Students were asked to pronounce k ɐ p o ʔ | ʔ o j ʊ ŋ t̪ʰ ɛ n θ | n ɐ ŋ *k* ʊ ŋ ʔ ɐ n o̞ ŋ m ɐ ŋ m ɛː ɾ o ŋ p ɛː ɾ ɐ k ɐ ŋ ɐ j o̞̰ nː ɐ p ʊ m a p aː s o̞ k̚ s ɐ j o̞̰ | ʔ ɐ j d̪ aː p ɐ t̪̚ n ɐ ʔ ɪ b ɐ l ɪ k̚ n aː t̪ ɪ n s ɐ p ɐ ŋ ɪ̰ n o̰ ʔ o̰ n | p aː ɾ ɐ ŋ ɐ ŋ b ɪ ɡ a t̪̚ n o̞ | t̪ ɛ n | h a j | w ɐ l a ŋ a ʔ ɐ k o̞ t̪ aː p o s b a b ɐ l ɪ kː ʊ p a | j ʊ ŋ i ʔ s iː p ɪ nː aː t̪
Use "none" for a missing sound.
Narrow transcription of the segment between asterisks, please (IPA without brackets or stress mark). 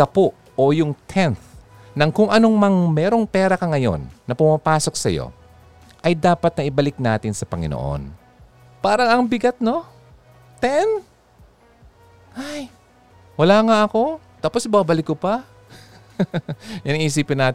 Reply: k